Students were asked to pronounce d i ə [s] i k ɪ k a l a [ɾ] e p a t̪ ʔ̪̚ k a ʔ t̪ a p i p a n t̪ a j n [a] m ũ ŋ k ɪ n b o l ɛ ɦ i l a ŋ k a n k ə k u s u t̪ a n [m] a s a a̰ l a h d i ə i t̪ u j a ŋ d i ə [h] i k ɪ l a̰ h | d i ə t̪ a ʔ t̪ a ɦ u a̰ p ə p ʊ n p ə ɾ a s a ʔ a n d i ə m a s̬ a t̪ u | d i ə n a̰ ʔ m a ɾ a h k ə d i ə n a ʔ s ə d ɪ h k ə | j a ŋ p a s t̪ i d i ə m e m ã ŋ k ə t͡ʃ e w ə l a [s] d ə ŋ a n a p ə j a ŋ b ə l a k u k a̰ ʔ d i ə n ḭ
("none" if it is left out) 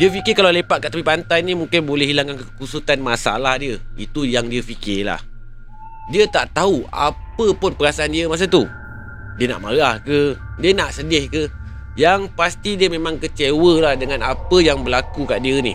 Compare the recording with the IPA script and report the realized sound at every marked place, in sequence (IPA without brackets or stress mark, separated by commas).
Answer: f, l, i, m, f, h